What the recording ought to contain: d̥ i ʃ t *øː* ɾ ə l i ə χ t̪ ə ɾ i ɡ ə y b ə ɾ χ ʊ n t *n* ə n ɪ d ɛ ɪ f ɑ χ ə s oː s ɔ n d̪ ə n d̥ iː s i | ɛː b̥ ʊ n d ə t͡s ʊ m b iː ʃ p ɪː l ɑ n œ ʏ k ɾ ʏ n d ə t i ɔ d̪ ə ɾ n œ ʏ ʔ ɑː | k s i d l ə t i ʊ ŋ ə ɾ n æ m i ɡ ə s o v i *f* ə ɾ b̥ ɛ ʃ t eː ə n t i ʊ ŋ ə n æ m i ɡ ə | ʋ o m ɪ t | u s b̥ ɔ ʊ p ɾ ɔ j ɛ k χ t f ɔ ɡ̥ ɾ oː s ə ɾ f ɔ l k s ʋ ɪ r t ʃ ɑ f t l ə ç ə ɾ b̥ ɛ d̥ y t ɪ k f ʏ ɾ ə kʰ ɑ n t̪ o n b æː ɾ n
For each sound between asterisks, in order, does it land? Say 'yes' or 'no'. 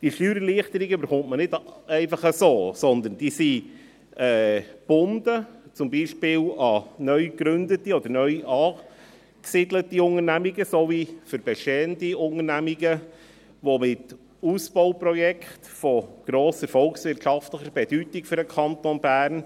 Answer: no, no, yes

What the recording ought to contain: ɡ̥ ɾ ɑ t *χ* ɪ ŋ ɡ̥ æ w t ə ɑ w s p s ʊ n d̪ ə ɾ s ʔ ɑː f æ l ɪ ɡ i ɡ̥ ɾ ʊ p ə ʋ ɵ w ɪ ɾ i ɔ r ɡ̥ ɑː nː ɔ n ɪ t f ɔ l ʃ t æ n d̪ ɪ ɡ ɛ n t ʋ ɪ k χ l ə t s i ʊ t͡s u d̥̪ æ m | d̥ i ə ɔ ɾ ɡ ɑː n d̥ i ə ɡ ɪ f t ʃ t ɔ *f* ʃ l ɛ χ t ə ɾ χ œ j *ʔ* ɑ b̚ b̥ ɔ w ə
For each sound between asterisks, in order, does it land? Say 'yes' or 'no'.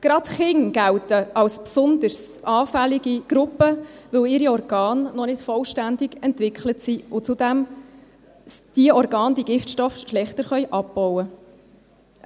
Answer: yes, yes, yes

